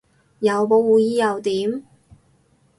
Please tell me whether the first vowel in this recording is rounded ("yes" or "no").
no